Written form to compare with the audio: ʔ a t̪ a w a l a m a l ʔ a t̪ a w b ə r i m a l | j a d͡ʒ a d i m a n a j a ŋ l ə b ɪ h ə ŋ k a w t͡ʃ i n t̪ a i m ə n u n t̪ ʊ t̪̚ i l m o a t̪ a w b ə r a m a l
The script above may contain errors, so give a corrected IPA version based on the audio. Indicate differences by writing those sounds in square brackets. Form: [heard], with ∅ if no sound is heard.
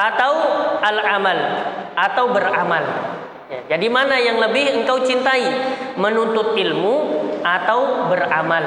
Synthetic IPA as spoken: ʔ a t̪ a w a l a m a l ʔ a t̪ a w b ə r [a] m a l | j a d͡ʒ a d i m a n a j a ŋ l ə b ɪ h ə ŋ k a w t͡ʃ i n t̪ a i m ə n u n t̪ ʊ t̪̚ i l m [u] a t̪ a w b ə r a m a l